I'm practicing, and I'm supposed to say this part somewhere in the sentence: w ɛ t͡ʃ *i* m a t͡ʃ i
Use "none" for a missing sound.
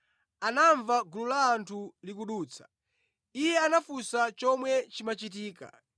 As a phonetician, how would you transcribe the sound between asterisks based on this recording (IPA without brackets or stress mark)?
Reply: i